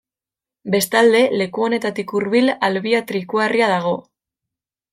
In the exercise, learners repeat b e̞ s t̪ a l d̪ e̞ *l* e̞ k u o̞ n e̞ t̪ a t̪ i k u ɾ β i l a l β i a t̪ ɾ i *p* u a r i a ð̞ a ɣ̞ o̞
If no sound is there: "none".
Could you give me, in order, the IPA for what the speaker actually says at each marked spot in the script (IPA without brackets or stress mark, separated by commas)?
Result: l, k